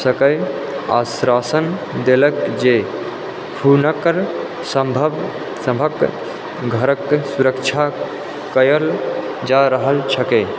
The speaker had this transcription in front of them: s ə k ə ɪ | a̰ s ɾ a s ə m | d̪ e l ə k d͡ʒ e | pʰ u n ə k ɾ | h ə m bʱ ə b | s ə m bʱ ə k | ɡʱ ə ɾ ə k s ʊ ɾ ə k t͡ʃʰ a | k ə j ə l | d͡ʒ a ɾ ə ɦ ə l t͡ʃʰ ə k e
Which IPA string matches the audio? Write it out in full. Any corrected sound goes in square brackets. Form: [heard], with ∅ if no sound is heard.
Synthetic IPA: s ə k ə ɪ | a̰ s ɾ a s ə [n] | d̪ e l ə k d͡ʒ e | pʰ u n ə k ɾ | [s] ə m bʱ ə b | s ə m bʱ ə k | ɡʱ ə ɾ ə k s [u] ɾ ə k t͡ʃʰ a | k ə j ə l | d͡ʒ a ɾ ə ɦ ə l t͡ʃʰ ə k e